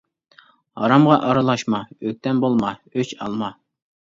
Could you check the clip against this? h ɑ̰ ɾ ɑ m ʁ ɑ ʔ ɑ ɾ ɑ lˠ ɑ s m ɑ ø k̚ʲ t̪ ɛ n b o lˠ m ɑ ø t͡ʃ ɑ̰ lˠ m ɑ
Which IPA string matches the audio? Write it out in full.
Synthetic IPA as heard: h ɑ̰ ɾ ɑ m ʁ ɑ ʔ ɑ ɾ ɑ lˠ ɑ ʃ m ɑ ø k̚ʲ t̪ ɛ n b o lˠ m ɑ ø t͡ʃ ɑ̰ lˠ m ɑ

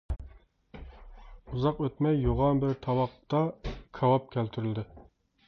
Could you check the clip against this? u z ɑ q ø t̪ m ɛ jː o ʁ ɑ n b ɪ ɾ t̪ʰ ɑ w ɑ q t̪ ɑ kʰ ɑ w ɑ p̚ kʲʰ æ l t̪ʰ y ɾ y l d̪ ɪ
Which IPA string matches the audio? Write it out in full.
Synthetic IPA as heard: u z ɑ q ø t̪ m ɛ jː o ʁ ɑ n b ɪ ɾ t̪ʰ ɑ w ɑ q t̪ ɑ kʰ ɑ w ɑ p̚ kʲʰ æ l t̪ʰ y ɾ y l d̪ ɪ

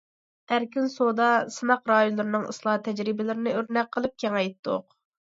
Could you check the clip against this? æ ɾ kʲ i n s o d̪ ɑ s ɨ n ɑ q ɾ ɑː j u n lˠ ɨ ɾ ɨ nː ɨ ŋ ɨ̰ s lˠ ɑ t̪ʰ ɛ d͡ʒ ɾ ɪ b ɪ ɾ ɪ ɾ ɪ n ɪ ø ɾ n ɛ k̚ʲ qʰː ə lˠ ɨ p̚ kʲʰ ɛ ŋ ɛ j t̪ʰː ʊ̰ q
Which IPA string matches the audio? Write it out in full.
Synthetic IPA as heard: æ ɾ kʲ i n s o d̪ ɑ s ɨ n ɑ q ɾ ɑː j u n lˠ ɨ ɾ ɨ n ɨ ŋ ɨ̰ s lˠ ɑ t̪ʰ ɛ d͡ʒ ɾ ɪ b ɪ l ɪ ɾ ɪ n ɪ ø ɾ n ɛ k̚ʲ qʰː ə lˠ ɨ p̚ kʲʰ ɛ ŋ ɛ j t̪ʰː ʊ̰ q

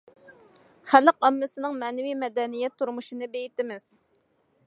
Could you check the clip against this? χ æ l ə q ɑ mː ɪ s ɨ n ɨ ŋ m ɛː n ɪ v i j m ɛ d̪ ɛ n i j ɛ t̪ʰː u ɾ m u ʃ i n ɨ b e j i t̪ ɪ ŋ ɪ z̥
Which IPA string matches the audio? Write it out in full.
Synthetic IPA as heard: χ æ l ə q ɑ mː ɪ s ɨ n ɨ ŋ m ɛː n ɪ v i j m ɛ d̪ ɛ n i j ɛ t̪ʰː u ɾ m u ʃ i n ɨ b e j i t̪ ɪ m ɪ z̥

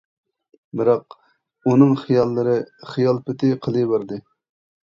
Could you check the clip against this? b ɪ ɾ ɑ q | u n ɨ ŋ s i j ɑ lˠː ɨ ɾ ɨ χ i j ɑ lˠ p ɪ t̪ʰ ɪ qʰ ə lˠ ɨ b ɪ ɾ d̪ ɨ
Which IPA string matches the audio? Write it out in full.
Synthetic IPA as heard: b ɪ ɾ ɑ q | u n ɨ ŋ χ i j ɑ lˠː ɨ ɾ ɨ χ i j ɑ lˠ p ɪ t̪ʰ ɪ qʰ ə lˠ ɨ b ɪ ɾ d̪ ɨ

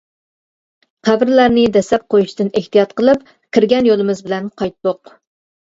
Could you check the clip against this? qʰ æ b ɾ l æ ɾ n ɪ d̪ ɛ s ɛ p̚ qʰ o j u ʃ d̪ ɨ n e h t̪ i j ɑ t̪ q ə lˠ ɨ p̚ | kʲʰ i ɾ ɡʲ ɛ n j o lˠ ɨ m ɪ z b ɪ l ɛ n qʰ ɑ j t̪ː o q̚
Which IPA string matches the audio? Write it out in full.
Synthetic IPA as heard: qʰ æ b ɾ l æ ɾ n ɪ d̪ ɛ s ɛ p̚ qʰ o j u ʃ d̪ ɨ n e h t̪ i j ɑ t̪ q ə lˠ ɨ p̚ | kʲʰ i ɾ ɡʲ ɛ n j o lˠ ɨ m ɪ z b ɪ l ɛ n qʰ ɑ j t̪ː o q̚

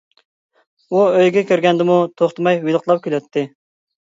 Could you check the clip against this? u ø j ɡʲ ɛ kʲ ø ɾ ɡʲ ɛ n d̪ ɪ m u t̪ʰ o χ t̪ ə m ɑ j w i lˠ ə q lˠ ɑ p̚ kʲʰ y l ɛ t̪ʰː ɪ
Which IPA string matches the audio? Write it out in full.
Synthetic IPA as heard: u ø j ɡʲ ɛ kʲ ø ɾ ɡʲ ɛ n d̪ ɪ m u t̪ʰ o χ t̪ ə m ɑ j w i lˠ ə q lˠ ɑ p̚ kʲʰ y l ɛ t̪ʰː ɪ

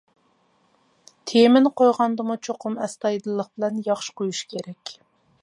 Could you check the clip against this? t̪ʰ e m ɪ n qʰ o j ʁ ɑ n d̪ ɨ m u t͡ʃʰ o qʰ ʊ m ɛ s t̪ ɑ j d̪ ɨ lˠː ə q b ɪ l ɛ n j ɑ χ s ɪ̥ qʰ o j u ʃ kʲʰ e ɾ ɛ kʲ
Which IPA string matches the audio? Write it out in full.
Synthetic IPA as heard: t̪ʰ e m ɪ n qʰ o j ʁ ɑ n d̪ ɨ m u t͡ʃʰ o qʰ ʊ m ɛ s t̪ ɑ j d̪ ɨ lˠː ə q b ɪ l ɛ n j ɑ χ ʃ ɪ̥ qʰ o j u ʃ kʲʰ e ɾ ɛ kʲ

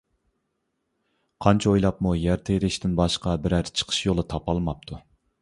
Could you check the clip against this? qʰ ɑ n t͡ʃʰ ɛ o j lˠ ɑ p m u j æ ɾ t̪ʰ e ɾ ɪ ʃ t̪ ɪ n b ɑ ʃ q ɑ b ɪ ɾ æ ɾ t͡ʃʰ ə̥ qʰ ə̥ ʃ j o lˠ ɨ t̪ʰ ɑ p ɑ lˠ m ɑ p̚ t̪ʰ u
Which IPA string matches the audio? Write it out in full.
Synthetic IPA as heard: qʰ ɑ n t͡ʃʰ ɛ o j lˠ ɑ p m u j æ ɾ t̪ʰ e ɾ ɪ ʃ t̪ ɪ n b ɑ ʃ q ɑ b ɪ ɾ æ ɾ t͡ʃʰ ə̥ qʰ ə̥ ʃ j o lˠ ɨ t̪ʰ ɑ p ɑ lˠ m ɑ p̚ t̪ʰ u

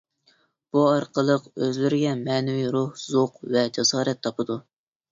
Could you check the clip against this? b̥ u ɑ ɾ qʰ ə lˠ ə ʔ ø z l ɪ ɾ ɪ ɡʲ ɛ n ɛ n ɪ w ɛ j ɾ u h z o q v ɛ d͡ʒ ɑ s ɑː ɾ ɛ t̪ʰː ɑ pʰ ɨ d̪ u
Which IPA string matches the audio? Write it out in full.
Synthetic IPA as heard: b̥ u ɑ ɾ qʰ ə lˠ ə q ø z l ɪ ɾ ɪ ɡʲ ɛ m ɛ n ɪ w i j ɾ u h z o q v ɛ d͡ʒ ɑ s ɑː ɾ ɛ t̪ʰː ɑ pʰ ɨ d̪ u

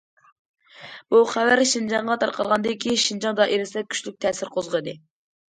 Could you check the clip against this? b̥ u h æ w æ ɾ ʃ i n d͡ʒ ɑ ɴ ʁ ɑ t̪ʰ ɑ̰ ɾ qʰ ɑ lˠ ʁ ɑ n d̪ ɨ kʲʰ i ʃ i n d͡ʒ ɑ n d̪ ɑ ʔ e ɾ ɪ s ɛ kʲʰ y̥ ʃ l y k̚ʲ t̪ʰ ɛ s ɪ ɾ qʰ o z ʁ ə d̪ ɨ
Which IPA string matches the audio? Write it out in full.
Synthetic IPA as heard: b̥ u χ æ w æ ɾ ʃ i n d͡ʒ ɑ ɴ ʁ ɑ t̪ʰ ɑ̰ ɾ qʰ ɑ lˠ ʁ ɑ n d̪ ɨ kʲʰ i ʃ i n d͡ʒ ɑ ŋ d̪ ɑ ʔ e ɾ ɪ s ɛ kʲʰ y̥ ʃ l y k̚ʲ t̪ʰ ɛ s ɪ ɾ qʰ o z ʁ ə d̪ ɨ

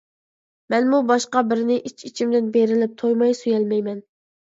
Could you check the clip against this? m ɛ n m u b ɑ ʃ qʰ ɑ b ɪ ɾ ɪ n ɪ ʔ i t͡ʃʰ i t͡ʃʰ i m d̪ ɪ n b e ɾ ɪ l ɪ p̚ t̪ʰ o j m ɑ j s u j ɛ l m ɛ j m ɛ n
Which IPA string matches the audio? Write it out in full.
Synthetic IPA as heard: m ɛ n m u b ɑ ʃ q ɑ b ɪ ɾ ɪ n ɪ ʔ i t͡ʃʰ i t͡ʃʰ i m d̪ ɪ n b e ɾ ɪ l ɪ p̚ t̪ʰ o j m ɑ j s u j ɛ l m ɛ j m ɛ n

